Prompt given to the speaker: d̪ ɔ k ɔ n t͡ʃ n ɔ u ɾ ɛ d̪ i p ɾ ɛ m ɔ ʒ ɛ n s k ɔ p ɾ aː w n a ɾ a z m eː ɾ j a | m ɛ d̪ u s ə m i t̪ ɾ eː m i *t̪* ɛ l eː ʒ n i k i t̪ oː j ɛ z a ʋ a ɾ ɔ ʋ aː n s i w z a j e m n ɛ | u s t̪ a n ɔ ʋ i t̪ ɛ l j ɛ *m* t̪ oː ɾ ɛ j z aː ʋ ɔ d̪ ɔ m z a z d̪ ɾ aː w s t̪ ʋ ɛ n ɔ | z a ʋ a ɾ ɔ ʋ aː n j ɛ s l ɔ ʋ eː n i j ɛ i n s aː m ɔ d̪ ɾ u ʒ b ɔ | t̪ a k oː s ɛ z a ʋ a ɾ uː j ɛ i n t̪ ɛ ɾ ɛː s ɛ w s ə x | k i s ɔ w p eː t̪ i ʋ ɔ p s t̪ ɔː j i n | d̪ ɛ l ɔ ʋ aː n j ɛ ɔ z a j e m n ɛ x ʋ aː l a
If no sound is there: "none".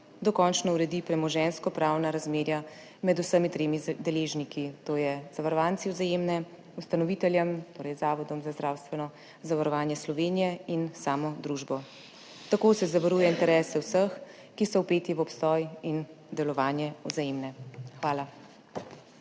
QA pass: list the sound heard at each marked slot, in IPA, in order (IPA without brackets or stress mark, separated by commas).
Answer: d̪, m